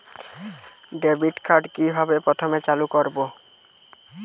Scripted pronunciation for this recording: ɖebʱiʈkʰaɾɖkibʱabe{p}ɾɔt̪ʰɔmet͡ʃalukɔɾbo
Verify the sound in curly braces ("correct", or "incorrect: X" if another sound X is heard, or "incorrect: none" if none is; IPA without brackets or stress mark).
correct